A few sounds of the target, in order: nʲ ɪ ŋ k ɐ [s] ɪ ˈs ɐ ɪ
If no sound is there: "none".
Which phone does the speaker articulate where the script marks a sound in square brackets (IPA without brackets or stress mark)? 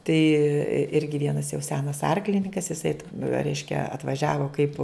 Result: s